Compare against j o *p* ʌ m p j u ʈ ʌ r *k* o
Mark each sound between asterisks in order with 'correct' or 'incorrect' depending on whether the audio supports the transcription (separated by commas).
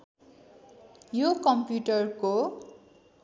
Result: incorrect, correct